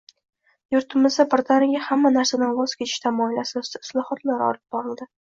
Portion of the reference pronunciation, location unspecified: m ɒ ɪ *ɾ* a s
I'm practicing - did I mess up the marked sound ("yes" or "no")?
yes